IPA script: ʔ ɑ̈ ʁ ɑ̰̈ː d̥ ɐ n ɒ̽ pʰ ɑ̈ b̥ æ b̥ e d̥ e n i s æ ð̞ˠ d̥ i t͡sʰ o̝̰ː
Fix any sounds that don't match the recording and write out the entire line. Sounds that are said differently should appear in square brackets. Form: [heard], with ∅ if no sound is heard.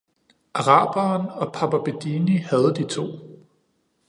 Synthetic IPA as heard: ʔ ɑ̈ ʁ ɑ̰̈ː [b̥] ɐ n ɒ̽ pʰ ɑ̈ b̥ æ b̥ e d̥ [i] n i [h] æ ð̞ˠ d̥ i t͡sʰ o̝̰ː